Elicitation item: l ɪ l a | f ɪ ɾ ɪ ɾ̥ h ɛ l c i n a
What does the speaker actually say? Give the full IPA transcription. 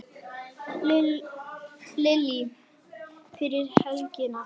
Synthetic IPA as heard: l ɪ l i | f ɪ ɾ ɪ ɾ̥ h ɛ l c ɪ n a

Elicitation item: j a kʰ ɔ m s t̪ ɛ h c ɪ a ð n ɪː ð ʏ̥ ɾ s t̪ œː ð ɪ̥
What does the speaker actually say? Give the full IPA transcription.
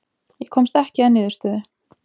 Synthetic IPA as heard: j ɛ kʰ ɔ m s t̪ ɛ h c ɪ a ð n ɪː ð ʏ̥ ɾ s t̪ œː ð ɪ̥

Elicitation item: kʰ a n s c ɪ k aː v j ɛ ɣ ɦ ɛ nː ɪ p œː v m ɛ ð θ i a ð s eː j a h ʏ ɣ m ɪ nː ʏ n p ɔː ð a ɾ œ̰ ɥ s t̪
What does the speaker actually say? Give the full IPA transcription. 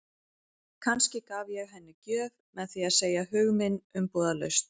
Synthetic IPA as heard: kʰ a n s c ɪ k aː v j ɛ ɣ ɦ ɛ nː ɪ c œː v m ɛ ð θ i a ð s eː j a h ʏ ɣ m ɪ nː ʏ m p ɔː ð a l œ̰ ɥ s t̪

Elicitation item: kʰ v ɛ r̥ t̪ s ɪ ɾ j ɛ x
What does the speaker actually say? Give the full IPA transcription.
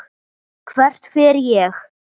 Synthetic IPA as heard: kʰ v ɛ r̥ t̪ f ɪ ɾ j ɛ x

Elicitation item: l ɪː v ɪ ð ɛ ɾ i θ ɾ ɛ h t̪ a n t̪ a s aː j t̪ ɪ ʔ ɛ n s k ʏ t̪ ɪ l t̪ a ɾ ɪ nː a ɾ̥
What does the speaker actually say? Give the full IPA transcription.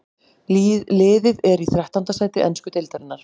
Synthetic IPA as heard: l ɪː ð ɪ ð ɛ ɾ i θ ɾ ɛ h t̪ a n t̪ a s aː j t̪ ɪ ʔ ɛ n s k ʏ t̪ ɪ l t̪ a ɾ ɪ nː a ɾ̥

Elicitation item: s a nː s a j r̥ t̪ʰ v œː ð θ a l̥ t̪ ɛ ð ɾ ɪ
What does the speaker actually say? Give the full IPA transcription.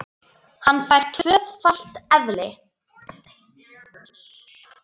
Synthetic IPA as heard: h a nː f a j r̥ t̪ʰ v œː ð f a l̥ t̪ ɛ ð l ɪ

